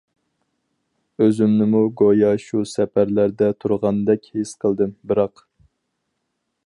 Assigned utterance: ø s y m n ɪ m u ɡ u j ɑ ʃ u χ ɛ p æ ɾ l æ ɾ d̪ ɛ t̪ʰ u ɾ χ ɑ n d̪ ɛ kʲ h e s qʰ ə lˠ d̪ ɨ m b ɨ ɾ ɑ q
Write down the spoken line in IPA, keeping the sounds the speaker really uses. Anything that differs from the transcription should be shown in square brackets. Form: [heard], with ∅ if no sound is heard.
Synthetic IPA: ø [z] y m n ɪ m u ɡ [o] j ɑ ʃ u [s] ɛ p æ ɾ l æ ɾ d̪ ɛ t̪ʰ u ɾ [ʁ] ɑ n d̪ ɛ kʲ h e s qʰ ə lˠ d̪ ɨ m b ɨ ɾ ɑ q